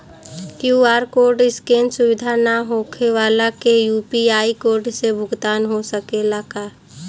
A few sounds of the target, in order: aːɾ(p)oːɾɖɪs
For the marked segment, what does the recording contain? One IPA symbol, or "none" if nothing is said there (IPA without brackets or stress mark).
k